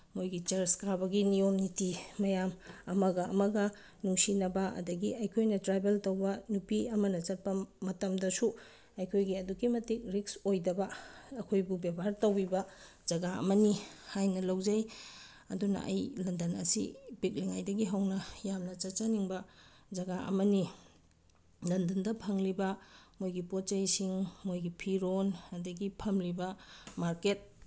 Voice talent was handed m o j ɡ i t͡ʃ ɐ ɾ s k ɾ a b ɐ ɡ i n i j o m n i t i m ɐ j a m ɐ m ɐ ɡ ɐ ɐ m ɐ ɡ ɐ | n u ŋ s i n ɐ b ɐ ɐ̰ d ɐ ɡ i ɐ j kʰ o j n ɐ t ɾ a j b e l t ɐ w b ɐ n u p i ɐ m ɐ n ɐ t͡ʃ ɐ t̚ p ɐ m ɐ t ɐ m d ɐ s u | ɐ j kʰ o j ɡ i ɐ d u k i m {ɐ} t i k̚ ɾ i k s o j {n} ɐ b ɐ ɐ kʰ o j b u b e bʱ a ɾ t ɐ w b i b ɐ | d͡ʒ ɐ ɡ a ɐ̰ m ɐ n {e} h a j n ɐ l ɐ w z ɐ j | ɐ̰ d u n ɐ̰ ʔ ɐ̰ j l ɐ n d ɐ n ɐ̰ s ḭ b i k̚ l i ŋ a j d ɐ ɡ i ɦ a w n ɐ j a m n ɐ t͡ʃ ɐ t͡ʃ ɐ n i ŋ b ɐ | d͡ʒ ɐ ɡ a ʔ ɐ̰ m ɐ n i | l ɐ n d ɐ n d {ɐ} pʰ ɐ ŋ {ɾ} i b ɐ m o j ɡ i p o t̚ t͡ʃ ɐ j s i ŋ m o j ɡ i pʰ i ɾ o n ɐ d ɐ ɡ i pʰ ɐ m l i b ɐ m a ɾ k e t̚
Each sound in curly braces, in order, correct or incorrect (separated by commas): correct, incorrect, incorrect, correct, incorrect